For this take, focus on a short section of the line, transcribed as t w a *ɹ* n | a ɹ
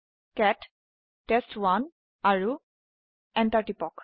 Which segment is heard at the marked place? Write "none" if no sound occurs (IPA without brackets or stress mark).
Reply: none